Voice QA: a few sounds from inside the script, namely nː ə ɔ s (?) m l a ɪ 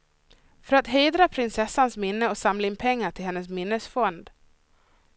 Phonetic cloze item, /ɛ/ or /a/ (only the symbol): a